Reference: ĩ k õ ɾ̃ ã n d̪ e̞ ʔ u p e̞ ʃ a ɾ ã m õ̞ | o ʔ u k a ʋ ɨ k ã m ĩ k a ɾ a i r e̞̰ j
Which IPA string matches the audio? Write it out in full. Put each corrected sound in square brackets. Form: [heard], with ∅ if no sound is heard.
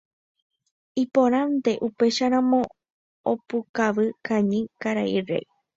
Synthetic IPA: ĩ [p] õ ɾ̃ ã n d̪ e̞ ʔ u p e̞ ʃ a ɾ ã m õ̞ | o [p] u k a ʋ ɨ k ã [ɲ] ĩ k a ɾ a i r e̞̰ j